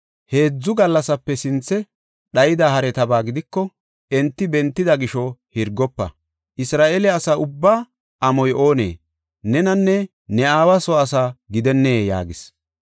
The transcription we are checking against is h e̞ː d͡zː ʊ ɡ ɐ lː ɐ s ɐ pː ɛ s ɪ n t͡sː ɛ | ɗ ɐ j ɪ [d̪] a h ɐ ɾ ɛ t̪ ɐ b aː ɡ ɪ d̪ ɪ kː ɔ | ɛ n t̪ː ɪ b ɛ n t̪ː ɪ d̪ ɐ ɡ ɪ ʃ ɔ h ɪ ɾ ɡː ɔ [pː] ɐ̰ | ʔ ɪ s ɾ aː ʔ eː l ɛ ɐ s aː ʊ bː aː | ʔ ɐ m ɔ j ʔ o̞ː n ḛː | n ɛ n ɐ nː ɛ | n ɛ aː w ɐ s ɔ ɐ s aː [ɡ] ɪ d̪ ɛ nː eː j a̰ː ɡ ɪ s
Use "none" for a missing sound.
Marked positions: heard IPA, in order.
d̪, pː, ɡ

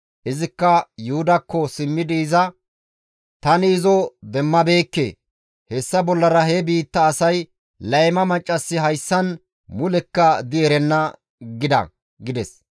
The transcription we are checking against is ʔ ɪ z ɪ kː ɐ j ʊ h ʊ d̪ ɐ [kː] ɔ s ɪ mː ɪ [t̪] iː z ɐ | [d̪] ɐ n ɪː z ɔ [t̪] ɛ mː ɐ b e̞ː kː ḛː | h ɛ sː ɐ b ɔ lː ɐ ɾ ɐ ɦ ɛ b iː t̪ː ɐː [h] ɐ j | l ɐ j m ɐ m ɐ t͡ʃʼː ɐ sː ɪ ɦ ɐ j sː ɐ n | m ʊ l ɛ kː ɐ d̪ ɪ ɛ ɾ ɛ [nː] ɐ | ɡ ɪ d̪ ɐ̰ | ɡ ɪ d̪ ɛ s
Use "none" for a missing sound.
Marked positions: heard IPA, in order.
kː, d̪, t̪, d̪, s, nː

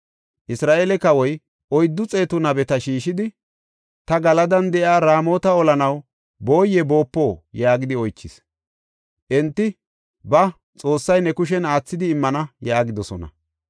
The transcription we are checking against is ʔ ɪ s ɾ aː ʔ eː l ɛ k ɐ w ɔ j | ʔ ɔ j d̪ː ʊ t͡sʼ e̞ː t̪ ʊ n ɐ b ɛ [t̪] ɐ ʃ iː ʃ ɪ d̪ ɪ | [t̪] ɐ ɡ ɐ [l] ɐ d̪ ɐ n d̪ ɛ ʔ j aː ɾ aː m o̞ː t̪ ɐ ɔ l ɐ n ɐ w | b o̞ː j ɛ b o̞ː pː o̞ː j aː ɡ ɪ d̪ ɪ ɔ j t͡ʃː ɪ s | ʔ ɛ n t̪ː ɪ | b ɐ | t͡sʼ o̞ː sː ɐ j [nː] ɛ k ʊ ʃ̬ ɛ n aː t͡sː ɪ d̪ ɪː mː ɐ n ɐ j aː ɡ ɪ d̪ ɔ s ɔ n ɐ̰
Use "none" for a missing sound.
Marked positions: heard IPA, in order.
t̪, t̪, l, n

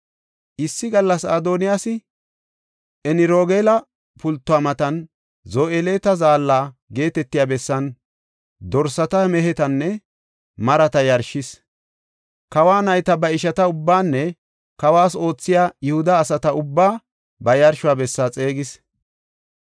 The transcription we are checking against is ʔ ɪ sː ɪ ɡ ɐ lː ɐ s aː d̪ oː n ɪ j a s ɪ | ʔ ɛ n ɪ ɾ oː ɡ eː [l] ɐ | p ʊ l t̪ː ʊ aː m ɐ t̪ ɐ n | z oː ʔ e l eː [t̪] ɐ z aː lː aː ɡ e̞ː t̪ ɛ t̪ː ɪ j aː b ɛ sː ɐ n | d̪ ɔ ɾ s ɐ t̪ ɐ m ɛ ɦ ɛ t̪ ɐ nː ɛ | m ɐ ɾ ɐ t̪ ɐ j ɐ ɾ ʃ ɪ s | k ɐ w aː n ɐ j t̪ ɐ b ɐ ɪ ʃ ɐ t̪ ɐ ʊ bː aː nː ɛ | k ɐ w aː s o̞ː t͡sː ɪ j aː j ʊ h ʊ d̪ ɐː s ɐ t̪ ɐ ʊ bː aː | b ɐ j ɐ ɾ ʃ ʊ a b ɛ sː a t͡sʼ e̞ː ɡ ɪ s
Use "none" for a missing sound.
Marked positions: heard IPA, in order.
l, t̪

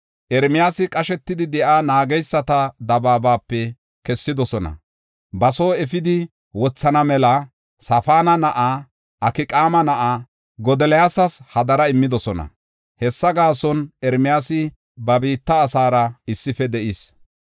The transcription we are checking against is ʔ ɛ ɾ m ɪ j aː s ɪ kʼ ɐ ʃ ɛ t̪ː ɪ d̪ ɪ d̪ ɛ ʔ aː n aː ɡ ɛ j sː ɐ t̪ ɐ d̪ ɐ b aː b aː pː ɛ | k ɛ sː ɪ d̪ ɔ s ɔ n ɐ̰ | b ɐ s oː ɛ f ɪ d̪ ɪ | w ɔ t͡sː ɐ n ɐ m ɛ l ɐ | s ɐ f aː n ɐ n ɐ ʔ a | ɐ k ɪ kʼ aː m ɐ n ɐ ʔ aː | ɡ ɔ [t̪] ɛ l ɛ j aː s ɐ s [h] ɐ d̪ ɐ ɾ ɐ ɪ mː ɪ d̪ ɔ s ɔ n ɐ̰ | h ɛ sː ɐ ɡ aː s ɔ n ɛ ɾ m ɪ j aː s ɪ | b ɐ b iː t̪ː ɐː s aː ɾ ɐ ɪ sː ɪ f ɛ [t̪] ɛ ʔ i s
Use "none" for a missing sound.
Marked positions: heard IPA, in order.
d̪, h, d̪

